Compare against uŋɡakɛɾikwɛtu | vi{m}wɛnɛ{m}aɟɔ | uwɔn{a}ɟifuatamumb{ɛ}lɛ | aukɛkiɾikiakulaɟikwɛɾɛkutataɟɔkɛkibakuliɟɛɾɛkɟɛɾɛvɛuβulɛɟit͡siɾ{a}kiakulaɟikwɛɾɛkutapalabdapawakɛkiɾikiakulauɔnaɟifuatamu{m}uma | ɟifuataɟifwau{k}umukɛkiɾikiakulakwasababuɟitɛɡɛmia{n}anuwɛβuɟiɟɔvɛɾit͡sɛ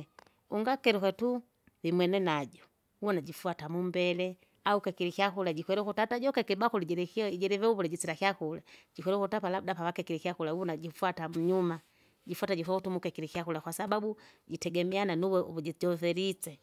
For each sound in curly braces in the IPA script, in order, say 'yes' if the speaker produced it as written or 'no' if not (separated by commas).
yes, no, yes, yes, yes, no, no, yes